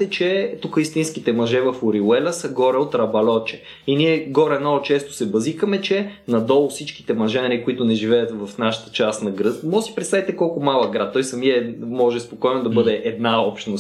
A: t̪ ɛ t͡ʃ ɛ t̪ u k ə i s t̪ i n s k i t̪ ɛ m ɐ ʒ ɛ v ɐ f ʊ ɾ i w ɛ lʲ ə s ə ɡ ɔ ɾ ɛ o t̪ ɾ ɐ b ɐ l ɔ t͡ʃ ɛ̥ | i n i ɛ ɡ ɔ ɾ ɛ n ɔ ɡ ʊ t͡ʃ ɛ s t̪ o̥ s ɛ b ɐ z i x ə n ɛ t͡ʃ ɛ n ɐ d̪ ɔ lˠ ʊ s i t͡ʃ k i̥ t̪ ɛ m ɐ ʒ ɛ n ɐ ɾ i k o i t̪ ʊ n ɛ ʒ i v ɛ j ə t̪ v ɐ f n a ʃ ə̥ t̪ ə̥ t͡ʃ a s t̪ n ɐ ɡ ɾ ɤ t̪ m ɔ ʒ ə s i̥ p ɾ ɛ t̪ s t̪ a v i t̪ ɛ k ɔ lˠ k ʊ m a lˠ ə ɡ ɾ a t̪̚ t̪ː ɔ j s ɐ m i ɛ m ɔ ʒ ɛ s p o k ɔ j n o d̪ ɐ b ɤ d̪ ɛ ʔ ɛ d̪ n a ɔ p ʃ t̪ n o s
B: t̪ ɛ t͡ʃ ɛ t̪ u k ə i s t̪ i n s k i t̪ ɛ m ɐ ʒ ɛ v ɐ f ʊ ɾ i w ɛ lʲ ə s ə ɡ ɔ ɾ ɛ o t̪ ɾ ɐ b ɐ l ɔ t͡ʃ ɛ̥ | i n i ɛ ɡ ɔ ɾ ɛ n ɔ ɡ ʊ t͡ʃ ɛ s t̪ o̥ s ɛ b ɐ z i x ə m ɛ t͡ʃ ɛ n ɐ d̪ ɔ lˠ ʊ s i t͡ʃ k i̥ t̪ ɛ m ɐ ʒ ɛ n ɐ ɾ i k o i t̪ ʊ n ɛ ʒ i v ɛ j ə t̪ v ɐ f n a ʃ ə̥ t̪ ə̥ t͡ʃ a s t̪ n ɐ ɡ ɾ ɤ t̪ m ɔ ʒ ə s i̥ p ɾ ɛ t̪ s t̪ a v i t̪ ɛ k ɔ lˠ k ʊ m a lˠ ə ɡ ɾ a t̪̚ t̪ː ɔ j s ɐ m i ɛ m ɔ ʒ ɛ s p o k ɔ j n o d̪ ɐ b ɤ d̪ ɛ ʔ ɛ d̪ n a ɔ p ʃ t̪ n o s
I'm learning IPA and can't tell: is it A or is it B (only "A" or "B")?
B